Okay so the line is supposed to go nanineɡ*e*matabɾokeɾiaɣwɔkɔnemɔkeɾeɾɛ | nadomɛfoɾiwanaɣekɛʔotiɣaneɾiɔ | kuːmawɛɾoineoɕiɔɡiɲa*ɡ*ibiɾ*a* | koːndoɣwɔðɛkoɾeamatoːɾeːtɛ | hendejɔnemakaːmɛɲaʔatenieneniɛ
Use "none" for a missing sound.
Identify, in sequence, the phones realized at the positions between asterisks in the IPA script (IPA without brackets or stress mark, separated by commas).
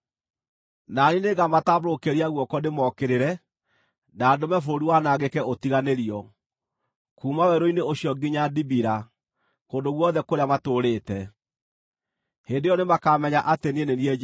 a, d, a